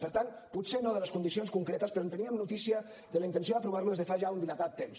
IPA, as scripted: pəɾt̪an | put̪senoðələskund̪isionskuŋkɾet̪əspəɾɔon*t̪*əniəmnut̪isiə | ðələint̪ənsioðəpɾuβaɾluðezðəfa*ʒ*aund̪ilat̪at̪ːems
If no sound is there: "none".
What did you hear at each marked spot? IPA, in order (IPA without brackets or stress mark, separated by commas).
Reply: t̪, ʒ